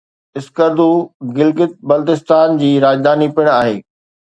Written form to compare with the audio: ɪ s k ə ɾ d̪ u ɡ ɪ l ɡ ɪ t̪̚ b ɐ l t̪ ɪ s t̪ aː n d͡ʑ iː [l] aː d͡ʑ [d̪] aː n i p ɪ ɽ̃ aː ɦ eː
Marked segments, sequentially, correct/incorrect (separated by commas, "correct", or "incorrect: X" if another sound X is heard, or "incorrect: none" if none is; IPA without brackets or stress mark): incorrect: ɾ, correct